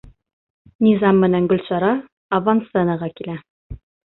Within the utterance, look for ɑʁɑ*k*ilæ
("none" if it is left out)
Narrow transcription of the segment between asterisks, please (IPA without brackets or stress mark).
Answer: k